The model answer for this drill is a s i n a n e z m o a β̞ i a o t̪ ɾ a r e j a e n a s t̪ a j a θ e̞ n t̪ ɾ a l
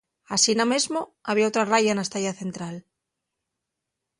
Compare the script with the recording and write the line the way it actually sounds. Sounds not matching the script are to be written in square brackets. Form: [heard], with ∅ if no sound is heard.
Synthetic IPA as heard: a s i n a [m] e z m o a β̞ i a o t̪ ɾ a r [a] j a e n a s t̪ a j a θ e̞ n t̪ ɾ a l